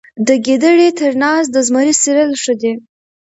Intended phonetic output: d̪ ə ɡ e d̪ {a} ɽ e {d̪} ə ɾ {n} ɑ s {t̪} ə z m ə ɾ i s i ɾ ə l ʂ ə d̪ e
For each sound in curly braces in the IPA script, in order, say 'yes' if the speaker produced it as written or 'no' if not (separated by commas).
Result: no, no, yes, no